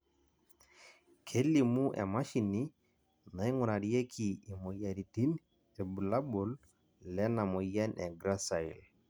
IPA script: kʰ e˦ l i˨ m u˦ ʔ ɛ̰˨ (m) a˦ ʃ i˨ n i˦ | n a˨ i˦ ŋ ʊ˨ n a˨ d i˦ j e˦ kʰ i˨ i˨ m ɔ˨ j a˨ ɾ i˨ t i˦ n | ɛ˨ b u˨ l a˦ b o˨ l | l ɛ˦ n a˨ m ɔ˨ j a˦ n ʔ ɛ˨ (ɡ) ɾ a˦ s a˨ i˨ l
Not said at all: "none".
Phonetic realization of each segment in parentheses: m, ɡ

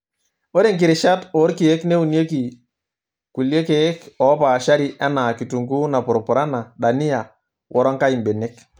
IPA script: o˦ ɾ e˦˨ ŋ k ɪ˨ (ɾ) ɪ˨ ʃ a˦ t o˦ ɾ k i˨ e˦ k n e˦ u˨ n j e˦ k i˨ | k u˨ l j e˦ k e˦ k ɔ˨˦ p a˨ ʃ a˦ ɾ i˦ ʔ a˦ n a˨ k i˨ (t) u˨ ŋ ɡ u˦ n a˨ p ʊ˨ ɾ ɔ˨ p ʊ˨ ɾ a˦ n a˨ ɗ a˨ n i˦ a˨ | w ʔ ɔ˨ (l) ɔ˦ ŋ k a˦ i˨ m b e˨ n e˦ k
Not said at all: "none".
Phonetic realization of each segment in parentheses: ɾ, t, ɾ

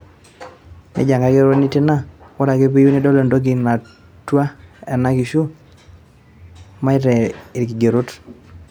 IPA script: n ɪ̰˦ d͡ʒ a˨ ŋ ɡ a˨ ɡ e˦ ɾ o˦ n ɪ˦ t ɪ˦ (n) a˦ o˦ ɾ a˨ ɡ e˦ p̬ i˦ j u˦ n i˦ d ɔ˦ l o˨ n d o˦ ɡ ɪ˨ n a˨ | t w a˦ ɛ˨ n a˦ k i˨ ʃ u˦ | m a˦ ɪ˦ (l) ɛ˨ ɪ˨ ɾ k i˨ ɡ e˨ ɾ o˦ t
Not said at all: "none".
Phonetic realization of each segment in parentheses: n, ɾ

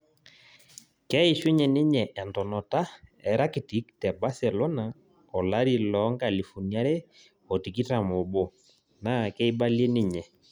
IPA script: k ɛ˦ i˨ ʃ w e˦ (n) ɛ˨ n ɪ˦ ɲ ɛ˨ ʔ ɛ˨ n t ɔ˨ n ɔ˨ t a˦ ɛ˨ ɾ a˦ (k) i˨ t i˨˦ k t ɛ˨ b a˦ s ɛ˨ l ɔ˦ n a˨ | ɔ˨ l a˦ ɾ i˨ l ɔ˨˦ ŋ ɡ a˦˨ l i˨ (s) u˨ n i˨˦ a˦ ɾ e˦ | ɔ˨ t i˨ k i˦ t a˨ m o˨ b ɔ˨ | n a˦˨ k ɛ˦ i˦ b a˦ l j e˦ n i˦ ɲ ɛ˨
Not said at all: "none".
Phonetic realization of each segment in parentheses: ɲ, k, f

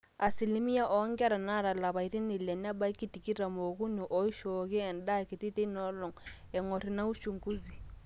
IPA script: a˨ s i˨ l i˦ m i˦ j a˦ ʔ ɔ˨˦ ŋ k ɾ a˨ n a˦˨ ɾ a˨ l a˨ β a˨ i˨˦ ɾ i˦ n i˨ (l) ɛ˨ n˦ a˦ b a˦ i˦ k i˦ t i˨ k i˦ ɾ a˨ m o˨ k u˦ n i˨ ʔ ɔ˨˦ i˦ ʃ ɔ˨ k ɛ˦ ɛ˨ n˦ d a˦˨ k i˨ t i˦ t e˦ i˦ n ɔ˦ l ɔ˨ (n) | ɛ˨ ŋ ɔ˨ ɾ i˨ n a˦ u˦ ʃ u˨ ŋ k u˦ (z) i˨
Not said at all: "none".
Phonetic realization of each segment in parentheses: l, ŋ, z

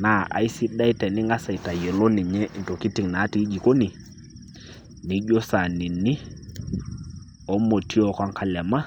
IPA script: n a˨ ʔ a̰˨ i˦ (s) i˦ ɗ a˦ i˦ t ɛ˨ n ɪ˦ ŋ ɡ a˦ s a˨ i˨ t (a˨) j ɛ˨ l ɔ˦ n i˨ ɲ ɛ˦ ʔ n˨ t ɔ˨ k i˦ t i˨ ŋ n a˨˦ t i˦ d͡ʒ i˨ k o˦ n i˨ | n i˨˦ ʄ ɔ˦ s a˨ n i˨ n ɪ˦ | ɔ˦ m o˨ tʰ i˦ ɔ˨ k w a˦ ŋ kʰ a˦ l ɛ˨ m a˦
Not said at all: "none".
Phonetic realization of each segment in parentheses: s, a˨

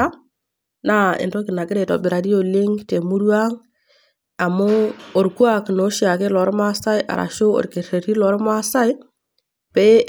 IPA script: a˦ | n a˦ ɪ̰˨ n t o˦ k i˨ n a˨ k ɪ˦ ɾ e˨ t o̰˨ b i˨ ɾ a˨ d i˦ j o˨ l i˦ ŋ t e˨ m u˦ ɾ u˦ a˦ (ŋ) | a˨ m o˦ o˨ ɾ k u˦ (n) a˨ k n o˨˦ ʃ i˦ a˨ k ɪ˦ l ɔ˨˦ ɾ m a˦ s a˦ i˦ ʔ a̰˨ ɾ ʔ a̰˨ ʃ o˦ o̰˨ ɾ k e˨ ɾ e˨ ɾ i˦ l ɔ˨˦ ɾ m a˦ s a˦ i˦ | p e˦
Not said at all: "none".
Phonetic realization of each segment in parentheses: ŋ, none

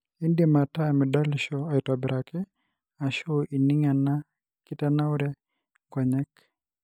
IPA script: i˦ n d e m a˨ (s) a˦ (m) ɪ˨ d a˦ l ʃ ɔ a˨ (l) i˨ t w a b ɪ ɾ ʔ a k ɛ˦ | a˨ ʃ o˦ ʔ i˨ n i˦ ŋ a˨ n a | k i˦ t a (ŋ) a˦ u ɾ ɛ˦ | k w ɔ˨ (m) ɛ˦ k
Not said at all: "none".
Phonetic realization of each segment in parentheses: t, m, none, n, ɲ

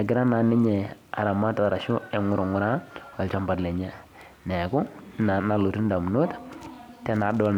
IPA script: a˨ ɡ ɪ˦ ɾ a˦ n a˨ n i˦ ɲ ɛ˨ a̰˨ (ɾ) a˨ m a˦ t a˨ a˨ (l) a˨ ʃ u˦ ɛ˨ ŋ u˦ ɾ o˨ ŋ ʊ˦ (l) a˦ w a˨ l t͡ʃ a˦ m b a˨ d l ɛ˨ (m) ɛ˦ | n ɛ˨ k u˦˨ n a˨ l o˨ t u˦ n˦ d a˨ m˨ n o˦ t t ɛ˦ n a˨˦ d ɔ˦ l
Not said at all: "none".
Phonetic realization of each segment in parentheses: ɾ, ɾ, ɾ, ɲ

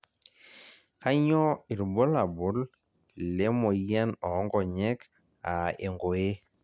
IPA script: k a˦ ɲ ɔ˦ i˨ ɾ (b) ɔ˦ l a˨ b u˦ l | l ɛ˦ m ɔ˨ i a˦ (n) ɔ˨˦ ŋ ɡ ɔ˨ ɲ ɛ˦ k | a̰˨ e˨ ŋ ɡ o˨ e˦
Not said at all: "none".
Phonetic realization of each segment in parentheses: b, n

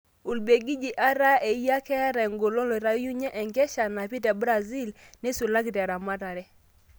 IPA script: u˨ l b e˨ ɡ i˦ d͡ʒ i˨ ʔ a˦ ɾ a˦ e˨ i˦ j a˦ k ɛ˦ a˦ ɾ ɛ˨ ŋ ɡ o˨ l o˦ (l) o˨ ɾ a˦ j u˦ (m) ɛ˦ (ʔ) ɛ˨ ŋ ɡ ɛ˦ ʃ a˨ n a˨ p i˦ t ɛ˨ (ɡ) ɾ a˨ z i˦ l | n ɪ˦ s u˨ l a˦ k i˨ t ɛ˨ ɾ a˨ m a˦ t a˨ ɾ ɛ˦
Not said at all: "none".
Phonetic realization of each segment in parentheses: l, ɲ, ʔ, b

